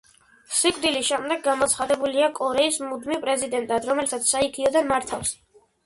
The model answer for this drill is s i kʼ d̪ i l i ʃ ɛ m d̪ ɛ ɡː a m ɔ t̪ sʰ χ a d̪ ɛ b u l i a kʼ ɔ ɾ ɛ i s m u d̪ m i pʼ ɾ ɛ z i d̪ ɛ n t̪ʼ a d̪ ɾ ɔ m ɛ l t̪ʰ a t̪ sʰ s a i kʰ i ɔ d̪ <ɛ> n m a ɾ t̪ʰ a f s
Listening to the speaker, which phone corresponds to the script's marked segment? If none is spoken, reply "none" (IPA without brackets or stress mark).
a